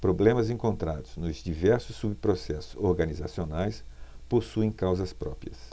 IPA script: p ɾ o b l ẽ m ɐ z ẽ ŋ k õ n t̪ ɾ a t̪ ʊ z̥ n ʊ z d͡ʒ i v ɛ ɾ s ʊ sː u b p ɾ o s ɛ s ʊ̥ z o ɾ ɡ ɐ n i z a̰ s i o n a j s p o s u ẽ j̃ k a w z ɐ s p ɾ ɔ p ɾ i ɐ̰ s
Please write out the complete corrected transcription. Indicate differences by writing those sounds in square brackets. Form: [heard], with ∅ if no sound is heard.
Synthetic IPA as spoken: p ɾ o b l ẽ m ɐ z ẽ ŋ k õ n t̪ ɾ a [d̪] ʊ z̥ n ʊ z d͡ʒ i v ɛ ɾ s ʊ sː u b p ɾ o s ɛ s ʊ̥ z o ɾ ɡ ɐ n i z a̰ s i o n a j s p o s u ẽ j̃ k a w z ɐ s p ɾ ɔ p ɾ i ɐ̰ s